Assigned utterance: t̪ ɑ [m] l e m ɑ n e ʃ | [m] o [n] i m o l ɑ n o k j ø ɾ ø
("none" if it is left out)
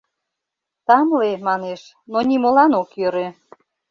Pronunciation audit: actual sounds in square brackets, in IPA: m, n, n

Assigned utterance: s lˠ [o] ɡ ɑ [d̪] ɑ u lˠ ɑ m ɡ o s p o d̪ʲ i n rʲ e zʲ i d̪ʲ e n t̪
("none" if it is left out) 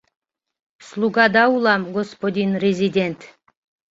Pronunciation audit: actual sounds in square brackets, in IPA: u, d̪

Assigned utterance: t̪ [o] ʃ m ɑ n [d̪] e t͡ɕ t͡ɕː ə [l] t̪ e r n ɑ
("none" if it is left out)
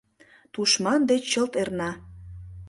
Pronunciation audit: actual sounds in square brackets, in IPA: u, d̪, l

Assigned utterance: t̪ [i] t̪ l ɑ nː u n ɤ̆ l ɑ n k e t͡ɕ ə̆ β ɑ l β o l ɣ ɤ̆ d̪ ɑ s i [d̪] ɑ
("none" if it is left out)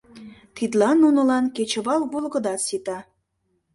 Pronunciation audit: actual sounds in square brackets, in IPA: i, t̪

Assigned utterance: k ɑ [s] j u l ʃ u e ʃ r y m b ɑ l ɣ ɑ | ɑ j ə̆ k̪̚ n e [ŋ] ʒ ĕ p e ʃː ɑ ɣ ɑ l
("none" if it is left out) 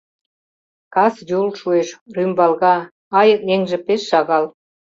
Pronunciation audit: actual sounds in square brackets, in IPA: s, ŋ

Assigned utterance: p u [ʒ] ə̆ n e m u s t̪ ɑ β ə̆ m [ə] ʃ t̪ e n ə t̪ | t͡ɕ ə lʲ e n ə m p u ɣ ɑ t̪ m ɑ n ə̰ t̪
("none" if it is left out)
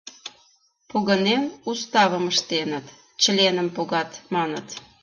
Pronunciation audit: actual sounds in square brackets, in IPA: ɣ, ə

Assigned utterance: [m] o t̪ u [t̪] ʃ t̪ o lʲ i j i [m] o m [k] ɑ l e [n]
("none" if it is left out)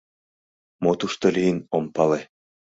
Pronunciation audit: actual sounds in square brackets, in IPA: m, none, n, p, none

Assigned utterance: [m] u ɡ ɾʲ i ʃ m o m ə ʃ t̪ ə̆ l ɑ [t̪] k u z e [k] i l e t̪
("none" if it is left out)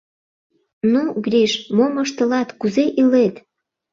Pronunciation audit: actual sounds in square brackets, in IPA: n, t̪, ʔ

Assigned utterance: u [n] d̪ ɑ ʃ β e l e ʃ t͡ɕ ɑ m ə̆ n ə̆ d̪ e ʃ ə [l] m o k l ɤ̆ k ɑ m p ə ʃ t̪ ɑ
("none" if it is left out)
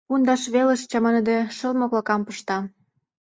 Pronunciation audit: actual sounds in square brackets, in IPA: n, l

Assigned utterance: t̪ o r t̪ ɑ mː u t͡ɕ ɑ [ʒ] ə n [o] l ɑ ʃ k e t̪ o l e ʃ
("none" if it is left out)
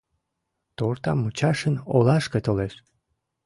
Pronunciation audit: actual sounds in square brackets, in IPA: ʃ, o

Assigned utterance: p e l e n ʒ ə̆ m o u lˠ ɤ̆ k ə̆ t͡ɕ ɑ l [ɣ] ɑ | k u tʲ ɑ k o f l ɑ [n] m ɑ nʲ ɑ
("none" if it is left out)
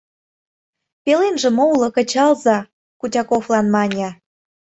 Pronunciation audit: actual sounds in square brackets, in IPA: z, n

